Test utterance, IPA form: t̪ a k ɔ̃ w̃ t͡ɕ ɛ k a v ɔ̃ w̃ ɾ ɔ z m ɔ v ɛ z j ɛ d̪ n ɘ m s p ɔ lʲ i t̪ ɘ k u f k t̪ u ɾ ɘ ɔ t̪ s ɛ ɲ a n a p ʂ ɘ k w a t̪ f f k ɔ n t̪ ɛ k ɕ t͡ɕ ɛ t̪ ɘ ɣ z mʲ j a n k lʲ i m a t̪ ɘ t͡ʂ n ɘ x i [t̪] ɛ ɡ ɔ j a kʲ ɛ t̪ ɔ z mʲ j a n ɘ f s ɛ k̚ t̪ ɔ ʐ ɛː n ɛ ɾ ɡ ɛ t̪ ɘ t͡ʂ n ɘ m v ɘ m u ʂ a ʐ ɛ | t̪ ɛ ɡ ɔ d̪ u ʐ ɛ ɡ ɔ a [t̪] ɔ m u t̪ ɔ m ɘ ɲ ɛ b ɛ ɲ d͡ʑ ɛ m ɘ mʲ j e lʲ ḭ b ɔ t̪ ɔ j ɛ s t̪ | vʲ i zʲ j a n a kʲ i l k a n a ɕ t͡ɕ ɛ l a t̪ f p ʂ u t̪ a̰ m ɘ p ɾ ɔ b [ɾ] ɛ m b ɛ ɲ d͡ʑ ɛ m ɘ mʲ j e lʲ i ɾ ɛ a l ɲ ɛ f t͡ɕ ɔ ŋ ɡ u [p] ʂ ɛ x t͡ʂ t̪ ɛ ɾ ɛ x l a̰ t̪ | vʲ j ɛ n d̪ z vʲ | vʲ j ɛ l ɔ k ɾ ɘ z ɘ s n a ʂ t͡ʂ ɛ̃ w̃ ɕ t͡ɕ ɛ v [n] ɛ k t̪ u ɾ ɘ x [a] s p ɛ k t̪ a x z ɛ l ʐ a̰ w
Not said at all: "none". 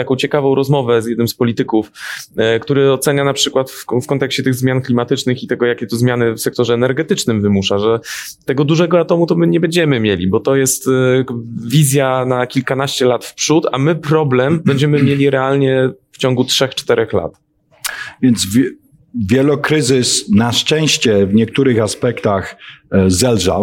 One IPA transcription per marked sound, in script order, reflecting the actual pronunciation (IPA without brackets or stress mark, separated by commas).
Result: t̪, t̪, l, t, ɲ, a